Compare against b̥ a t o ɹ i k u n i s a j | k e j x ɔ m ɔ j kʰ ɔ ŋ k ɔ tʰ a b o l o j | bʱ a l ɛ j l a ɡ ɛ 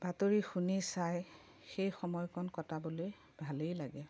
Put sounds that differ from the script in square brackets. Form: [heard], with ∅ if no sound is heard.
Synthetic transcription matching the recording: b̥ a t o ɹ i [x] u n i s a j | [x] e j x ɔ m ɔ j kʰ ɔ [n] k ɔ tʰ a b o l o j | bʱ a l [e] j l a ɡ ɛ